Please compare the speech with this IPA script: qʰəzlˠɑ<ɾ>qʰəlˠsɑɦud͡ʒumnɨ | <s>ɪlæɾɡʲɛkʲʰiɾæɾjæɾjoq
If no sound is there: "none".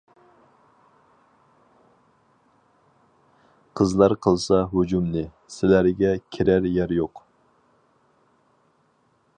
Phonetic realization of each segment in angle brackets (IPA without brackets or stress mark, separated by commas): ɾ, s